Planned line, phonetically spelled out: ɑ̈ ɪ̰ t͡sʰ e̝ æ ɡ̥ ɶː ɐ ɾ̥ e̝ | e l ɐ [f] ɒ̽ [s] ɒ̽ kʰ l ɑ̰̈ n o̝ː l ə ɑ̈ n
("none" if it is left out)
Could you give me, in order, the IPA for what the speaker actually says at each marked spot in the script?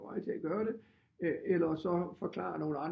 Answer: s, f

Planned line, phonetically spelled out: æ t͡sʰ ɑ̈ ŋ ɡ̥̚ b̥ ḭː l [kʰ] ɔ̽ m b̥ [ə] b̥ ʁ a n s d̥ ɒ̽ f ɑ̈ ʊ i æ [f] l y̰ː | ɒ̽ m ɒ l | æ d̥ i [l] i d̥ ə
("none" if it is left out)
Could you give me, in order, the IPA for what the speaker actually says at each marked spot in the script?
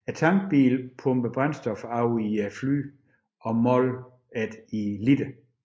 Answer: pʰ, ə, f, l

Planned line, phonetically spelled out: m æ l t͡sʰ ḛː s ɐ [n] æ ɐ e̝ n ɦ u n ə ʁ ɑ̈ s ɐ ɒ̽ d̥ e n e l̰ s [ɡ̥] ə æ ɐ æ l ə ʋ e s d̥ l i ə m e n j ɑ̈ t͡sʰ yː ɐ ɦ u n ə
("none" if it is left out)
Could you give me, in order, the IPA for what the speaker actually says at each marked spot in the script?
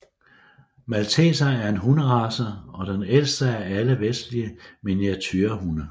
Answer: none, d̥

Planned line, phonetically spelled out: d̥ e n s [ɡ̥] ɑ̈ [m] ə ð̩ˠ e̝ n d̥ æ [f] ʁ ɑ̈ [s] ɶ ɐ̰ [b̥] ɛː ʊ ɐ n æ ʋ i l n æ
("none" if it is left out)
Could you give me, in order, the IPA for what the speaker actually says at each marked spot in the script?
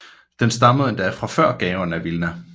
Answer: d̥, m, f, f, ɡ̥

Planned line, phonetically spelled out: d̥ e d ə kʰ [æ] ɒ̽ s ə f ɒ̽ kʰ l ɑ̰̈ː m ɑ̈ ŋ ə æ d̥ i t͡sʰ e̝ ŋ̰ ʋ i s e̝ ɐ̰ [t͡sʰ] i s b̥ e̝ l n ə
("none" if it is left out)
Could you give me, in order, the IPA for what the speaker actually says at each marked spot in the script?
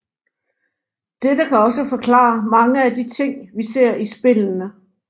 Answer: æ, none

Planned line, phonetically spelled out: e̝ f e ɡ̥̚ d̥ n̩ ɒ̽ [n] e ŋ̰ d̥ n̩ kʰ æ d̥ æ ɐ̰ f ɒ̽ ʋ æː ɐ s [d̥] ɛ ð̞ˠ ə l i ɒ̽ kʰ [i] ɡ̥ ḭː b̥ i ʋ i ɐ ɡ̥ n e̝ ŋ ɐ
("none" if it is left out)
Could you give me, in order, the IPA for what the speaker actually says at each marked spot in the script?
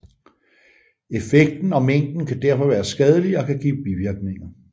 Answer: m, ɡ̥, æ

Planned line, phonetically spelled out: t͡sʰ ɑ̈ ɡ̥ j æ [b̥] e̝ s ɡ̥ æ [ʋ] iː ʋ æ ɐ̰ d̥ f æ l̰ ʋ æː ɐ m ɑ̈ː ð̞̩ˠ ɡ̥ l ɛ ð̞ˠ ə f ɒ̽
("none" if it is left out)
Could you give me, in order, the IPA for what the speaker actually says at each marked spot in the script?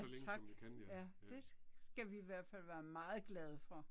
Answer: d̥, ʋ

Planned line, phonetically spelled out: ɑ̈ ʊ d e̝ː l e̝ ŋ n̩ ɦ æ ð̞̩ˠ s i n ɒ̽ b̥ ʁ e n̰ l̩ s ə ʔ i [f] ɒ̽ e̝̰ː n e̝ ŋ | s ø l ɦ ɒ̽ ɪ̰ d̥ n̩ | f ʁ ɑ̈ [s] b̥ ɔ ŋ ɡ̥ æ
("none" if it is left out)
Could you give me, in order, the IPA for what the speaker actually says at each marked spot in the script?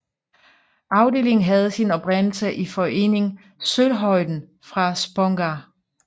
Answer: f, s

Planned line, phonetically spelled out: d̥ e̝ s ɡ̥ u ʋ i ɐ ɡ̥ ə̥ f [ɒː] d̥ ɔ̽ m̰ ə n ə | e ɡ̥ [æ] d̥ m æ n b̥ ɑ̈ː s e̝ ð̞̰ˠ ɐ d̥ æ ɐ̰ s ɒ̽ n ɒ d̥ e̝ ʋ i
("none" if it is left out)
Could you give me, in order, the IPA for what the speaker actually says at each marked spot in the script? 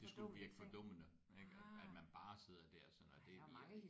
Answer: ɒ, æ

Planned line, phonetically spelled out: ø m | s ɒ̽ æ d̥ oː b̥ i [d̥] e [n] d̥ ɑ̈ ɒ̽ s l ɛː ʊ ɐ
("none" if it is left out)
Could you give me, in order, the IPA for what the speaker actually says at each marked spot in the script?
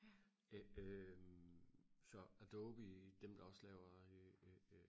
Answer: d̥, m

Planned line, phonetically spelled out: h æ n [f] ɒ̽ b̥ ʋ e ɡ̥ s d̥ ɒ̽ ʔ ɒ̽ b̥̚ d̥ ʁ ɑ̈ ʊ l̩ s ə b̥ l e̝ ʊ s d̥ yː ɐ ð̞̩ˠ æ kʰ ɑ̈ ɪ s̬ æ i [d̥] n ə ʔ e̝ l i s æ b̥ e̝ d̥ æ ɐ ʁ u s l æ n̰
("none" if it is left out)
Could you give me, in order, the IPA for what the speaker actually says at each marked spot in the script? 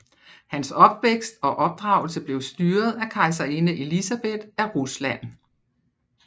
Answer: s, none

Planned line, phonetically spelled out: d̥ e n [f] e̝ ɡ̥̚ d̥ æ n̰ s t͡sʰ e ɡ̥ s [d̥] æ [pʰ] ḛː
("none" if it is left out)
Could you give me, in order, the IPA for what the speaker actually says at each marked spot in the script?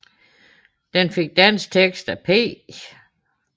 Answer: f, d̥, pʰ

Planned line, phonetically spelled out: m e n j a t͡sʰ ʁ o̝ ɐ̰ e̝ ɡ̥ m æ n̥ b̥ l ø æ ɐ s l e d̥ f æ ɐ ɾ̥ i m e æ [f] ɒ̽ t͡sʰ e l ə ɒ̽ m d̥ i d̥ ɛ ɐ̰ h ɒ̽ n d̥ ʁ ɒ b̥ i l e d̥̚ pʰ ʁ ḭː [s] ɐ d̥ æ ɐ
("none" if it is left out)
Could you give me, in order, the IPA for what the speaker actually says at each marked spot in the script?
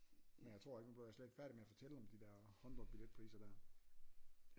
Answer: f, s

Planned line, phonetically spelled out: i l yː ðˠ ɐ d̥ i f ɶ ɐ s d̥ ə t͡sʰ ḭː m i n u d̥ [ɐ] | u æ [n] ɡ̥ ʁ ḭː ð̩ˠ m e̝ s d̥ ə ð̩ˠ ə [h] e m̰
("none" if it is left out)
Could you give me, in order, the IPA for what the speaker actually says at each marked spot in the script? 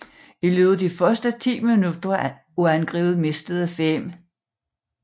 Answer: ɐ, n, f

